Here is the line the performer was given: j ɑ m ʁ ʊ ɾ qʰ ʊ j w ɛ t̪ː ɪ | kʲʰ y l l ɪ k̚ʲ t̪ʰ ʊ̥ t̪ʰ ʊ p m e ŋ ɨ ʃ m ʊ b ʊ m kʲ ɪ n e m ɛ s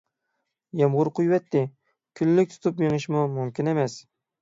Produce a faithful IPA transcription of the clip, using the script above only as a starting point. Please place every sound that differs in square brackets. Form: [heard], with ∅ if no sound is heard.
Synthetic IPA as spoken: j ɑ m ʁ ʊ ɾ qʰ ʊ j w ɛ t̪ː ɪ | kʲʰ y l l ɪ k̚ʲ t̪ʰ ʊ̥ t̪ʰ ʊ p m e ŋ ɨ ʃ m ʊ [m] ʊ m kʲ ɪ n e m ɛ s